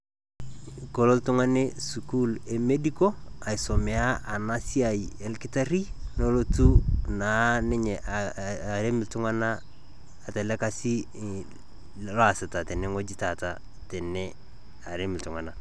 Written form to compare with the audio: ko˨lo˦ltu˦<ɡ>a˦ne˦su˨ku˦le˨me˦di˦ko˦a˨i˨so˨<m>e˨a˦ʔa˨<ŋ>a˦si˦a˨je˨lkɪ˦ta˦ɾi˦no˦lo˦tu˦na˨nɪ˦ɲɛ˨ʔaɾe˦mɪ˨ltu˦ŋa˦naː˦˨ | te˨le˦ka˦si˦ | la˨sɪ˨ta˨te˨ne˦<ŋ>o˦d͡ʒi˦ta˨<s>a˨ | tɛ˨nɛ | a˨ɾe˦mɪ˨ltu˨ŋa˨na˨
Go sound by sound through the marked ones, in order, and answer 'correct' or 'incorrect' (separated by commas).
incorrect, correct, incorrect, correct, incorrect